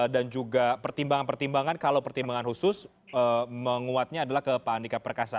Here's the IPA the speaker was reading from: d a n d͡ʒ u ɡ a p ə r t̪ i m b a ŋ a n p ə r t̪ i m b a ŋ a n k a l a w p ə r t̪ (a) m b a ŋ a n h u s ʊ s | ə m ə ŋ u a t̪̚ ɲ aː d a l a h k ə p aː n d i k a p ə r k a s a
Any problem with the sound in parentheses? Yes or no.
yes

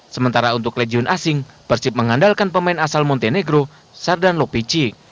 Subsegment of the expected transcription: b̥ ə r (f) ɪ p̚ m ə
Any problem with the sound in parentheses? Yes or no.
yes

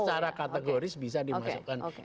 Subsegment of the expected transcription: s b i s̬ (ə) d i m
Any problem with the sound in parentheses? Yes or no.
yes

